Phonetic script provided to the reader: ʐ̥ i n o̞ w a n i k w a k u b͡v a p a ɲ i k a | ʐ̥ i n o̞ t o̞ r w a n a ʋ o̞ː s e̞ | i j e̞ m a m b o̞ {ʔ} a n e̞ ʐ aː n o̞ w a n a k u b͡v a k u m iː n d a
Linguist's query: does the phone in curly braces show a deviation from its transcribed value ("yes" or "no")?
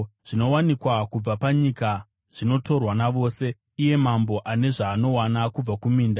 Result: no